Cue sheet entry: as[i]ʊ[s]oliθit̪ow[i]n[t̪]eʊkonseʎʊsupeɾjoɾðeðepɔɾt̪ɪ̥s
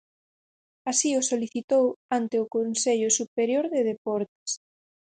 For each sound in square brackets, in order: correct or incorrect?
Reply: correct, correct, incorrect: a, correct

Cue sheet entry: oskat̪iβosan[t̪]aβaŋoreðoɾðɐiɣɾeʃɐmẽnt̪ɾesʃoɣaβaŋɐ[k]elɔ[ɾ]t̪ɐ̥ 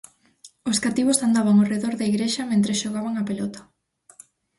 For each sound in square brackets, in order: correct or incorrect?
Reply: incorrect: d̪, incorrect: p, incorrect: none

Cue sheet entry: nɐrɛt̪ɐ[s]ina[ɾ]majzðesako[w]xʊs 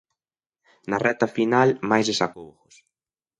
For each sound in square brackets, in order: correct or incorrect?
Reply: incorrect: f, incorrect: l, correct

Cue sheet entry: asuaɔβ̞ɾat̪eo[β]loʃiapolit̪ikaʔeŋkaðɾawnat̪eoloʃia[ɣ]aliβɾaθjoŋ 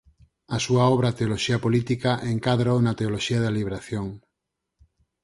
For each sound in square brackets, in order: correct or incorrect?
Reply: incorrect: none, incorrect: ð

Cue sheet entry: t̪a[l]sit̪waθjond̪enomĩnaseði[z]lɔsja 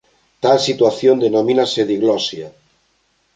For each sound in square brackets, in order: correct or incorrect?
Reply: correct, incorrect: ɣ

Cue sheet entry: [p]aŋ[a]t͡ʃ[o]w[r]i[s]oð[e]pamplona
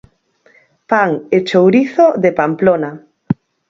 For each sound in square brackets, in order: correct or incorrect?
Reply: correct, incorrect: e, correct, incorrect: ɾ, incorrect: θ, correct

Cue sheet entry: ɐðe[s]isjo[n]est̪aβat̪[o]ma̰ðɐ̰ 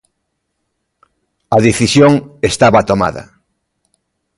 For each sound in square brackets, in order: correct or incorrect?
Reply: incorrect: θ, incorrect: ŋ, correct

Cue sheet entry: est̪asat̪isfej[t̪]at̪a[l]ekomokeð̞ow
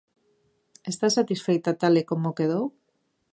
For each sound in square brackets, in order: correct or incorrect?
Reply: correct, correct

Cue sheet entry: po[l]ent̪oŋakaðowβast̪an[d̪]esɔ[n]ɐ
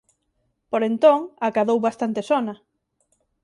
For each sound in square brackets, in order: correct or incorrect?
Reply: incorrect: ɾ, incorrect: t̪, correct

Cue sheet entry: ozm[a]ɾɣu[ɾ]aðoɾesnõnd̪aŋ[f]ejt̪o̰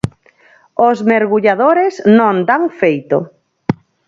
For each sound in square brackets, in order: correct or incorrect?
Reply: incorrect: e, incorrect: ʎ, correct

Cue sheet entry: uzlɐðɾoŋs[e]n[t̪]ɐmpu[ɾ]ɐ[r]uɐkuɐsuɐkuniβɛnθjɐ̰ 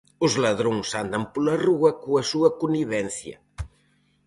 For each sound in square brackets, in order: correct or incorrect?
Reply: incorrect: a, incorrect: d̪, incorrect: l, correct

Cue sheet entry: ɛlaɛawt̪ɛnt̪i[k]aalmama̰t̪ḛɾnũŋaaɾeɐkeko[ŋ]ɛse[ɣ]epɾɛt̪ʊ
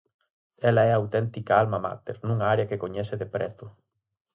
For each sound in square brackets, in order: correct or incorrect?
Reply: correct, incorrect: ɲ, incorrect: ð

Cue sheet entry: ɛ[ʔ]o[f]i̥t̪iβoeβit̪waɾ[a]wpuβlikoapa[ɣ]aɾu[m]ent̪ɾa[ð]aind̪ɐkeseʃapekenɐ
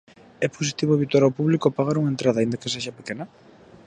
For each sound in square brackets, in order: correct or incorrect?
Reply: incorrect: p, incorrect: s, correct, correct, incorrect: ŋ, correct

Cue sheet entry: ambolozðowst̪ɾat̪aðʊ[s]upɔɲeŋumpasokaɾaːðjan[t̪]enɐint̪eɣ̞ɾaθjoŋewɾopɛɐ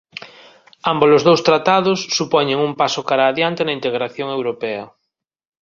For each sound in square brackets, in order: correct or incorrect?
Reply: incorrect: sː, correct

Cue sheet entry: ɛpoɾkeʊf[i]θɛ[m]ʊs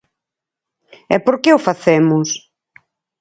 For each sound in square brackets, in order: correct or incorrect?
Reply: incorrect: a, correct

